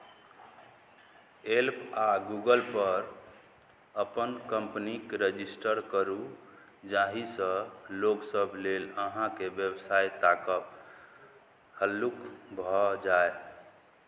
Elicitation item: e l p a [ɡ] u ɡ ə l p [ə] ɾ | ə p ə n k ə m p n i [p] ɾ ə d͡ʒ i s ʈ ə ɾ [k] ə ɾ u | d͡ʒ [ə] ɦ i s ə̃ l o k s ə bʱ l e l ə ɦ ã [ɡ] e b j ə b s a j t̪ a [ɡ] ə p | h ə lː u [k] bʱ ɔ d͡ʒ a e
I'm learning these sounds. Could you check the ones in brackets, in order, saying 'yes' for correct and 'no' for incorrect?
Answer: yes, yes, no, yes, no, no, no, yes

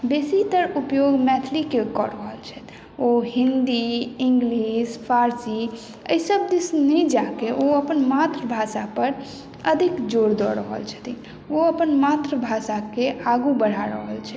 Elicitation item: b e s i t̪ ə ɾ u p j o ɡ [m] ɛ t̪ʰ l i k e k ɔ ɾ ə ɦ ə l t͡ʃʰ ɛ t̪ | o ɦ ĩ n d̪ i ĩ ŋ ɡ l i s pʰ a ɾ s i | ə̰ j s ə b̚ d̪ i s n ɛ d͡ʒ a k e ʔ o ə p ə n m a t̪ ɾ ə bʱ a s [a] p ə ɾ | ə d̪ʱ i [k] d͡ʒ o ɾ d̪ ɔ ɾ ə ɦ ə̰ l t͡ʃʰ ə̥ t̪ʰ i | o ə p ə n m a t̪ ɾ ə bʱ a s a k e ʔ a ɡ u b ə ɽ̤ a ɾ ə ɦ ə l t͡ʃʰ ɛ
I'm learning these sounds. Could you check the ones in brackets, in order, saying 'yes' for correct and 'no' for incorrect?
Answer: yes, yes, yes

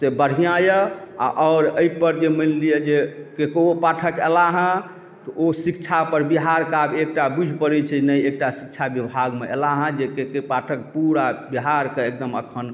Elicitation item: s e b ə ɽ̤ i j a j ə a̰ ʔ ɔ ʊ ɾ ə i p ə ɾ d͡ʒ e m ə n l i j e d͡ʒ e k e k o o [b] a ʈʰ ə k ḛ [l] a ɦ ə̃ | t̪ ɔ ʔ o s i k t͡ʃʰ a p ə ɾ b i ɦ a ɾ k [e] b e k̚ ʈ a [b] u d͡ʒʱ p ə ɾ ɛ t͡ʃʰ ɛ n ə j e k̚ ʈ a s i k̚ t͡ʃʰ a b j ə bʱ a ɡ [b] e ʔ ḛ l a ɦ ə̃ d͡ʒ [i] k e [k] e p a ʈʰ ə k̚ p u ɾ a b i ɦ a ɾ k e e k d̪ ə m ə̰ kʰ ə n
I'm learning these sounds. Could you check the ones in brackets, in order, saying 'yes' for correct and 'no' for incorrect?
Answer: no, yes, no, yes, no, no, yes

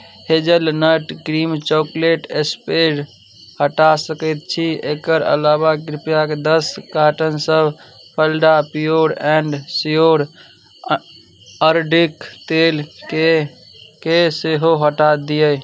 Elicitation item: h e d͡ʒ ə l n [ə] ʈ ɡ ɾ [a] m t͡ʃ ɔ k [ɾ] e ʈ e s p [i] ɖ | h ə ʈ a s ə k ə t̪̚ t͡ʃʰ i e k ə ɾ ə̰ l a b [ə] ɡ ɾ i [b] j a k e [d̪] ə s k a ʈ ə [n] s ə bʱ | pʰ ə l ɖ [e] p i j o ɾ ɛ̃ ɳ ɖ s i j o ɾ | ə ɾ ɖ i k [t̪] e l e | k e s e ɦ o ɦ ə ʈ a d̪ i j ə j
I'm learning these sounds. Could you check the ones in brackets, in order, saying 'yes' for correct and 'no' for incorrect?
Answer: yes, no, no, no, no, no, yes, yes, no, yes

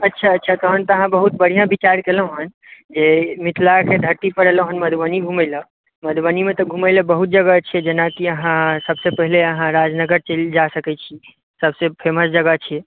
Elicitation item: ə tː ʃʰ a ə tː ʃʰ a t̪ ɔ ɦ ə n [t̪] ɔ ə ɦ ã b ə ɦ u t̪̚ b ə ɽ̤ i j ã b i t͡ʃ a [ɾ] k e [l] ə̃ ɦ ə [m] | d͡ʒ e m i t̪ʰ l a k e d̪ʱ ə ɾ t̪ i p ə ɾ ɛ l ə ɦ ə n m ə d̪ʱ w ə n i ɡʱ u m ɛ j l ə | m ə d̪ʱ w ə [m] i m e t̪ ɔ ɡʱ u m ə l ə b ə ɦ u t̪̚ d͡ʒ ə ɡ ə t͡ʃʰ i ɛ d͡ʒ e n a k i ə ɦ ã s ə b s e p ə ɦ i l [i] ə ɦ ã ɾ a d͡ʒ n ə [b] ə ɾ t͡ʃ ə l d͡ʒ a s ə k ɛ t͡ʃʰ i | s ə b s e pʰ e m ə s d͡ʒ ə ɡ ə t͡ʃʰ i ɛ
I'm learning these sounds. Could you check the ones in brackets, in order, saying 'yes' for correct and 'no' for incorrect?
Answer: yes, yes, yes, no, no, no, no

